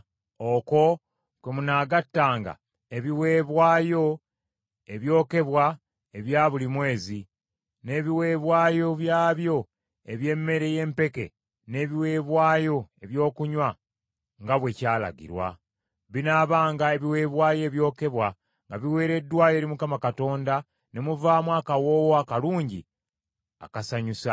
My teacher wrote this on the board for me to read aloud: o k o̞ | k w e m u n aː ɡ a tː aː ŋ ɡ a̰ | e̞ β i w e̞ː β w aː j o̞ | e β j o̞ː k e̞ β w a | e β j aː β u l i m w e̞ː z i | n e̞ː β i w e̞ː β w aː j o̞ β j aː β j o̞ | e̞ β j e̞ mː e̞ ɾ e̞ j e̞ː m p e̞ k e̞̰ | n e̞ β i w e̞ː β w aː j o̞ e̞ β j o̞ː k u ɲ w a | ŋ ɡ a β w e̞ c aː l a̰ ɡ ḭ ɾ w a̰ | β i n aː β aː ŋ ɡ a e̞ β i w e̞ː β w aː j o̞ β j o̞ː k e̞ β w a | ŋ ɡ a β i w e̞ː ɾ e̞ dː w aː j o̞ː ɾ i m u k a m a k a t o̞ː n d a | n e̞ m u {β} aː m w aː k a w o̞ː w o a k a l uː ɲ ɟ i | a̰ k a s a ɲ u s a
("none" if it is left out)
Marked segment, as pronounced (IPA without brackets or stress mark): v